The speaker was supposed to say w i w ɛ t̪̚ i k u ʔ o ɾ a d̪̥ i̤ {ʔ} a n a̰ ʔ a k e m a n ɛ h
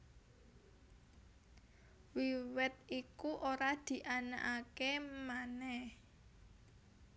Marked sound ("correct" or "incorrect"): correct